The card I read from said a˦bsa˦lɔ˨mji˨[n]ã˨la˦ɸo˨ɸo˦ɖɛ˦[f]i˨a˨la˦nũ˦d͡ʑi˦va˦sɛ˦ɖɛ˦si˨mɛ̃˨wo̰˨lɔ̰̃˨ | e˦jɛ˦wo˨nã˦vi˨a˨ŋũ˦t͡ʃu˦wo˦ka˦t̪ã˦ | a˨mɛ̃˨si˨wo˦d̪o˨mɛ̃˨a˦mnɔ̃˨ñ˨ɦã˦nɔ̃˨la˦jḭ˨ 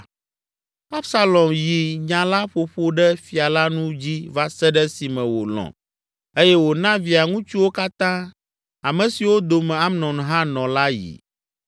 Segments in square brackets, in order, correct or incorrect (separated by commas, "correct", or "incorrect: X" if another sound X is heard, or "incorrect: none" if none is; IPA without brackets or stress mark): incorrect: ɲ, correct